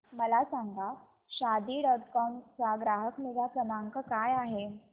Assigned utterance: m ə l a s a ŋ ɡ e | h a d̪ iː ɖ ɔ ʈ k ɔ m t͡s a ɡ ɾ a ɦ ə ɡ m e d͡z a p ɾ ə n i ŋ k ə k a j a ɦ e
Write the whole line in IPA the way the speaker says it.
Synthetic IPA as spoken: m ə l a s a ŋ ɡ a | ɕ a d̪ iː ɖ ɔ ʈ k ɔ m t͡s a ɡ ɾ a ɦ ə k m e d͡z a p ɾ ə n a ŋ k ə k a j a ɦ e